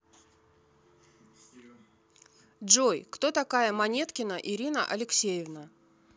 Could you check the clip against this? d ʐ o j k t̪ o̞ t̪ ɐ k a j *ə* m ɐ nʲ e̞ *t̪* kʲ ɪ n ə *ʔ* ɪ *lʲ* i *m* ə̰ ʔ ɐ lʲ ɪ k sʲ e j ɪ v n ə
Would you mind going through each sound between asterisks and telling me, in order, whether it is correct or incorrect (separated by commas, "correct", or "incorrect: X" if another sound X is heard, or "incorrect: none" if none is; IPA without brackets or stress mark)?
correct, correct, correct, incorrect: ɾʲ, incorrect: n